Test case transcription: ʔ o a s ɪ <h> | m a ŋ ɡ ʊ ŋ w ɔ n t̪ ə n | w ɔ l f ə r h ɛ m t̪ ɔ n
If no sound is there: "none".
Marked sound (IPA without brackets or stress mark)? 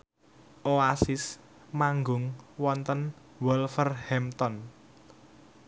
s